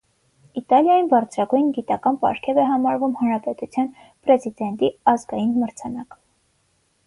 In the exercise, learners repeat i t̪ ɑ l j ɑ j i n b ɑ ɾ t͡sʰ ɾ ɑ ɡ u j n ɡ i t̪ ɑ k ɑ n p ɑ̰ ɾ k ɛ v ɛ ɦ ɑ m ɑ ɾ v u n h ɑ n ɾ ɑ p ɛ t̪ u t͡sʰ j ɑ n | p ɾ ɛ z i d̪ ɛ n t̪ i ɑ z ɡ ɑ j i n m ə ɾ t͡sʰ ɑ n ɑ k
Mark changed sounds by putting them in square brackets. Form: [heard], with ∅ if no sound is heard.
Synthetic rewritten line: i t̪ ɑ l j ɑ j i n b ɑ ɾ t͡sʰ ɾ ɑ ɡ u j n ɡ i t̪ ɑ k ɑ n p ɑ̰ ɾ [kʰ] ɛ v ɛ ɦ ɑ m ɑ ɾ v u [m] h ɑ n ɾ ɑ p ɛ t̪ u t͡sʰ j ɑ n | p ɾ ɛ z i d̪ ɛ n t̪ i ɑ z ɡ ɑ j i n m ə ɾ t͡sʰ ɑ n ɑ k